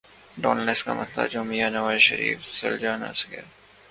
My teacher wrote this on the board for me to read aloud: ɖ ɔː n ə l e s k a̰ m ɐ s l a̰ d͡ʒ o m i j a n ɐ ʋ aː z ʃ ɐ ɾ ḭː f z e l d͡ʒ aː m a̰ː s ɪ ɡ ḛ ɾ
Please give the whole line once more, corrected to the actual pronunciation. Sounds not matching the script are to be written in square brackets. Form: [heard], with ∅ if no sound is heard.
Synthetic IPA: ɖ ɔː n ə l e s k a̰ m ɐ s l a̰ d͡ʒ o m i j a n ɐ ʋ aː z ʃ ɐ ɾ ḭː f [s] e l d͡ʒ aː [n] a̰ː s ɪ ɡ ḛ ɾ